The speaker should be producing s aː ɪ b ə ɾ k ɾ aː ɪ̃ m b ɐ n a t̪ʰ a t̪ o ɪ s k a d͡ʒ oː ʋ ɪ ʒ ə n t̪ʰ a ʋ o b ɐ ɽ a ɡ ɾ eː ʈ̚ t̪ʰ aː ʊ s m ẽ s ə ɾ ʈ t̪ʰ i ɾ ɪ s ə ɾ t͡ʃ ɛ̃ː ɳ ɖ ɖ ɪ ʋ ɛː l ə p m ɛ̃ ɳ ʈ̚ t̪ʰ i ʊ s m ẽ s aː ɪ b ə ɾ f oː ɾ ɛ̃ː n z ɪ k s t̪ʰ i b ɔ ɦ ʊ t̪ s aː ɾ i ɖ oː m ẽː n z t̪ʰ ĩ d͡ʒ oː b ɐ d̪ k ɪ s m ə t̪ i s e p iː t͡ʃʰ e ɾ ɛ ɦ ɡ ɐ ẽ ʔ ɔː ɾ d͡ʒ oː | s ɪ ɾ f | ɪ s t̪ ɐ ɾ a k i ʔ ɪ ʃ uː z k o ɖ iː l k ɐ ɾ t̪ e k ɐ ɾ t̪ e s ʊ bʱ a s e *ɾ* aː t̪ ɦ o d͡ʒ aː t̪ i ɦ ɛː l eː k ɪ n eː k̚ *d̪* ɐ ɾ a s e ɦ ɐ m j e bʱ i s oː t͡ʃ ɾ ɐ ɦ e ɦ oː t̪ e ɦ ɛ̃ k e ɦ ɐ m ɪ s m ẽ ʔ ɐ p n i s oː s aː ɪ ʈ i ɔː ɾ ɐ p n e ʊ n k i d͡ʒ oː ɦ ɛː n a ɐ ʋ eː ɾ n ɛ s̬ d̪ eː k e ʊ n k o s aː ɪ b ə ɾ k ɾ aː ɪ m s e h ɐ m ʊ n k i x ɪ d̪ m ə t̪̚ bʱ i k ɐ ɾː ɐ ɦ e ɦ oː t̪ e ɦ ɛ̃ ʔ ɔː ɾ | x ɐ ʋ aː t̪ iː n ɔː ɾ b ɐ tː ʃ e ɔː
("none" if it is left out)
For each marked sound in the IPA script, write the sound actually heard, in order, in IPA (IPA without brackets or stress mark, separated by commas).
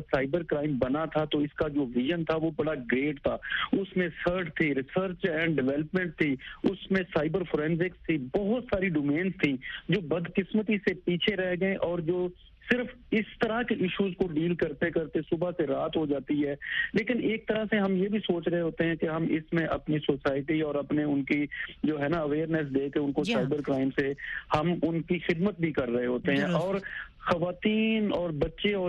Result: ɾ, t̪